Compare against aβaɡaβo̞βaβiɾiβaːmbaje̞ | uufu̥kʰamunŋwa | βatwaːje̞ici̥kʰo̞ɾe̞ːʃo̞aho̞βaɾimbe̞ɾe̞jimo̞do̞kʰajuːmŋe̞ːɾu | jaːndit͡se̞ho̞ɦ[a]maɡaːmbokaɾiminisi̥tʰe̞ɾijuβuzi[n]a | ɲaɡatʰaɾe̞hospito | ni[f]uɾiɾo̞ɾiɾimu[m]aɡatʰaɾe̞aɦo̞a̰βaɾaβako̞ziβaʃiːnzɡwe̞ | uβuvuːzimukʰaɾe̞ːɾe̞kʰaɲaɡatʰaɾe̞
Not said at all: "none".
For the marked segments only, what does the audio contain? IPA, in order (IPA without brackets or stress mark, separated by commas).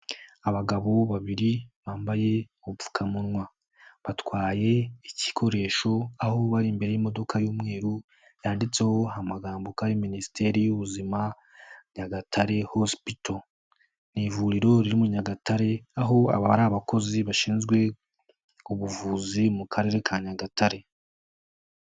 a, m, v, ɲ